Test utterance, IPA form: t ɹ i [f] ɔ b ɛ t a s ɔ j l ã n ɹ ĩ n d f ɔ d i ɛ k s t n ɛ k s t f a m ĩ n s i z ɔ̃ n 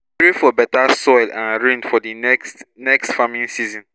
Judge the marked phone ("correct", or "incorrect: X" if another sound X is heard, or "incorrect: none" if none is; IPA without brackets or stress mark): correct